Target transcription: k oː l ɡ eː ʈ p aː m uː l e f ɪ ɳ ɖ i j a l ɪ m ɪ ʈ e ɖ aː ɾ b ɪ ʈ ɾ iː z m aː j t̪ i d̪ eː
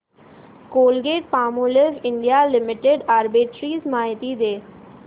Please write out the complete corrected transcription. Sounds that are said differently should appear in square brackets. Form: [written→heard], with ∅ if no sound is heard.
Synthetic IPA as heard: k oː l ɡ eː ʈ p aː m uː l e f ɪ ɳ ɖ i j a l ɪ m ɪ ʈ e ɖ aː ɾ b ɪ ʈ ɾ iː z m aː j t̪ i d̪ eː